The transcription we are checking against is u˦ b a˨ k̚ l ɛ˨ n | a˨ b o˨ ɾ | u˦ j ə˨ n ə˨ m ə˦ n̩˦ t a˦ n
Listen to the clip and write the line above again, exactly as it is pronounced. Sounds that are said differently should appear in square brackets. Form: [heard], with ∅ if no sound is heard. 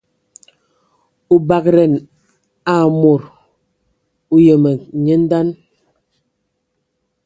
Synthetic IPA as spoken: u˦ b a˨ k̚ [ɾ] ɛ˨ n | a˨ [m] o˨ ɾ | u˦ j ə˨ [m] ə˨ [ɲ] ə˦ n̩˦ [d] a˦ n